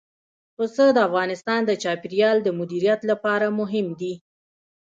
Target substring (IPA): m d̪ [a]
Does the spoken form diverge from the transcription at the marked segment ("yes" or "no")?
yes